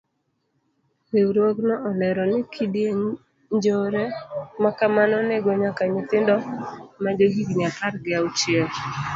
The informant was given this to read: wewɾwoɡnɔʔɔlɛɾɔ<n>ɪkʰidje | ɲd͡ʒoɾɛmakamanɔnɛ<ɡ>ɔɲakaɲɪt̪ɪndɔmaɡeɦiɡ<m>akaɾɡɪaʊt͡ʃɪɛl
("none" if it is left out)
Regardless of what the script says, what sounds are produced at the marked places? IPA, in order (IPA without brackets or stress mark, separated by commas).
n, ɡ, ɲ